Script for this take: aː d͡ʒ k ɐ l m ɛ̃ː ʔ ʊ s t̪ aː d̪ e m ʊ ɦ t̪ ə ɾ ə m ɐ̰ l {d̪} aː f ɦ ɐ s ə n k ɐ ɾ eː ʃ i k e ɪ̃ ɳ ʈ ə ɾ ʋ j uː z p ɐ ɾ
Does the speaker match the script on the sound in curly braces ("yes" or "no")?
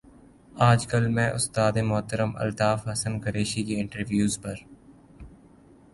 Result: no